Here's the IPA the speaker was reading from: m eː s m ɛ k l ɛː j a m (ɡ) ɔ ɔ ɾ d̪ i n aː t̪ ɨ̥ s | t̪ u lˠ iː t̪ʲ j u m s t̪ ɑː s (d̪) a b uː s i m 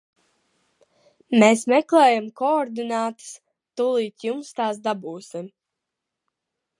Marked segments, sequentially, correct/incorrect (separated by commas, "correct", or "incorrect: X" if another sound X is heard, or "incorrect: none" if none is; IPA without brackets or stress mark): incorrect: k, correct